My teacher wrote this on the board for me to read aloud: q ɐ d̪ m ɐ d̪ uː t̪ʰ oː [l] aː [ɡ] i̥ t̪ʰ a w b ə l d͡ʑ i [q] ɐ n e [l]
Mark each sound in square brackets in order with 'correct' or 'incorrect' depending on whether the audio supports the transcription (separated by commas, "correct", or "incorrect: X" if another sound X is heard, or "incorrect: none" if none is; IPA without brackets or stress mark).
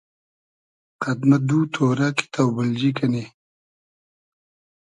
incorrect: ɾ, incorrect: k, incorrect: k, incorrect: none